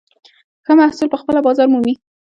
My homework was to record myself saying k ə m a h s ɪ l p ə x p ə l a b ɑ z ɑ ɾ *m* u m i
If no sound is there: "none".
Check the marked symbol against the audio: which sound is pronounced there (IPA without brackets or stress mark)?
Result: m